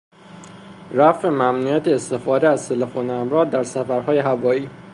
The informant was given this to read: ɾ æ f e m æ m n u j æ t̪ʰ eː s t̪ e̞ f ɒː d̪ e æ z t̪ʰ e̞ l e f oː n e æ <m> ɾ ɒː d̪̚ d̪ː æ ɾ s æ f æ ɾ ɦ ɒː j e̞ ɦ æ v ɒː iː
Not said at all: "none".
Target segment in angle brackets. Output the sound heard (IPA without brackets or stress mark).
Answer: m